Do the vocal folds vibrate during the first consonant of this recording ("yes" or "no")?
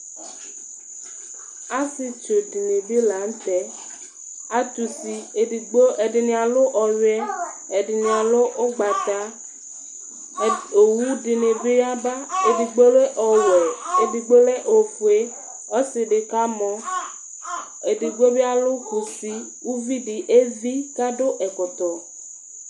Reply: no